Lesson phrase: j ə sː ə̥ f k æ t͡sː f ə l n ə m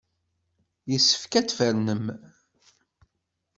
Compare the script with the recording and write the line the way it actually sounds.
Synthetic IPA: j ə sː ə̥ f k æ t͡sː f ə ɾ n ə m